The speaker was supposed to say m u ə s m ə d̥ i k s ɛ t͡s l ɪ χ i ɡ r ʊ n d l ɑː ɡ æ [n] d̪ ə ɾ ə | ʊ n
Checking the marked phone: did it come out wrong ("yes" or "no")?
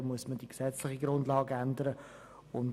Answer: no